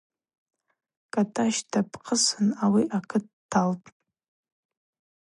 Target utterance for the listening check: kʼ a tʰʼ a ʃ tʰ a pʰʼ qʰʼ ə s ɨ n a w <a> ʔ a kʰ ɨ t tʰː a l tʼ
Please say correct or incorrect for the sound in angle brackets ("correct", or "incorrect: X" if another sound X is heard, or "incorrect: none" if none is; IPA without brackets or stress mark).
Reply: incorrect: i